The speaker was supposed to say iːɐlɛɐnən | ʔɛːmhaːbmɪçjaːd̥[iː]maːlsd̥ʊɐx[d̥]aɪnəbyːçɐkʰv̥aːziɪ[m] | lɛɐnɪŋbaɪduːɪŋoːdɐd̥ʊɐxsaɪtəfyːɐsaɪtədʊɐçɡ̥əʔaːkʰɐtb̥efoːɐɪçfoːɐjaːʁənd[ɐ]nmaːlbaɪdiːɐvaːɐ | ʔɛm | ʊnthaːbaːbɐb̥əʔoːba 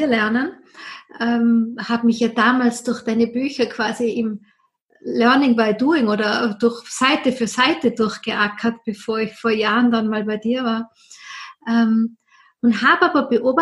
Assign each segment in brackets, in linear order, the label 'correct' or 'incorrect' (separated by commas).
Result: incorrect, correct, correct, incorrect